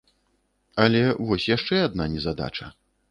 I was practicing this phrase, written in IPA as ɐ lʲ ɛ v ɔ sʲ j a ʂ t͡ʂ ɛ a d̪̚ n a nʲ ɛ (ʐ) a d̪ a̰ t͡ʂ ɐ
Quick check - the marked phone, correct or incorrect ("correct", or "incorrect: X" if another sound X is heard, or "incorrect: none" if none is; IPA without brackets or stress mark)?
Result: incorrect: z